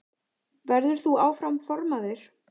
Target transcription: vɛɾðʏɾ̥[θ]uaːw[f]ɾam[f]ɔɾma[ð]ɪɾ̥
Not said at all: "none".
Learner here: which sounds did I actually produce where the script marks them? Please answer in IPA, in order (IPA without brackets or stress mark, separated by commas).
θ, f, f, ð